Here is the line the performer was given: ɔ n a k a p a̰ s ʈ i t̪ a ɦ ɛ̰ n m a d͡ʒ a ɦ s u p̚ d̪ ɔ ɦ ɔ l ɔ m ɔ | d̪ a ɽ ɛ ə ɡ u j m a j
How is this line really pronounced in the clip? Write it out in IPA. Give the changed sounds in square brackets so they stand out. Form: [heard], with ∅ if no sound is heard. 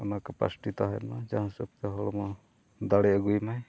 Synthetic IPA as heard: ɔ n a k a p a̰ s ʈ i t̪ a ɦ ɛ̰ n m a d͡ʒ a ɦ s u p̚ [t̪] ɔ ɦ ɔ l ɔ m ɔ | d̪ a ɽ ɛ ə ɡ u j m a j